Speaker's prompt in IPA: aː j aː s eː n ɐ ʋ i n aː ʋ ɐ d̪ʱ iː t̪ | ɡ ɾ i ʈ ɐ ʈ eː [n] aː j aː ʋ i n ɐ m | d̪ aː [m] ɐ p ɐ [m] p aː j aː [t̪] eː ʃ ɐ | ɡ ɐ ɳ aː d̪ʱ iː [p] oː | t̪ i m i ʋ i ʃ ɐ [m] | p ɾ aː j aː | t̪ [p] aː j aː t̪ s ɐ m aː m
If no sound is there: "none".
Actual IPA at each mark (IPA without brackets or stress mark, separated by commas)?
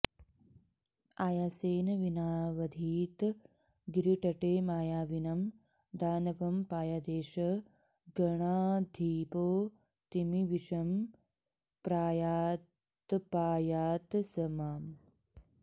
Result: m, n, m, d̪, p, m, p